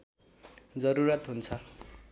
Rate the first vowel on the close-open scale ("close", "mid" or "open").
mid